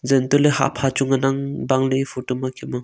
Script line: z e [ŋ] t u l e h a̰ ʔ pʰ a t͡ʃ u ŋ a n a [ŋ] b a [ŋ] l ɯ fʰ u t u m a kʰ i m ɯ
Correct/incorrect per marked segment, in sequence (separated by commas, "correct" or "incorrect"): incorrect, correct, correct